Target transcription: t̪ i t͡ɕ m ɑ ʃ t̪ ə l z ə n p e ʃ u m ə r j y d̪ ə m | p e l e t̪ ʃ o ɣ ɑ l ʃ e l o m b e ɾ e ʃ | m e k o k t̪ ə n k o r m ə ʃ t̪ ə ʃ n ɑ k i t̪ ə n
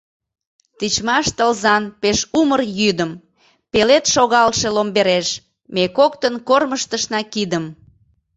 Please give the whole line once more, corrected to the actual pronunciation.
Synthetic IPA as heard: t̪ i t͡ɕ m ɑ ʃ t̪ ə l z ɑ n p e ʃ u m ə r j y d̪ ə m | p e l e t̪ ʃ o ɣ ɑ l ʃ e l o m b e ɾ e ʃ | m e k o k t̪ ə n k o r m ə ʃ t̪ ə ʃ n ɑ k i d̪ ə m